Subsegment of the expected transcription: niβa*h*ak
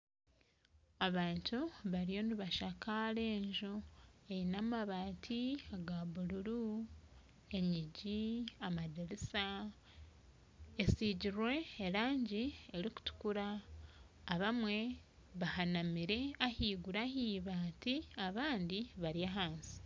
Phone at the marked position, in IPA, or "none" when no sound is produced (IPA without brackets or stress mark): ʃ